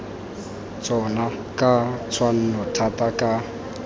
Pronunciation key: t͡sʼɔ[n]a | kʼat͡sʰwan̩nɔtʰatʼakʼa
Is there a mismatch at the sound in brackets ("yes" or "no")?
no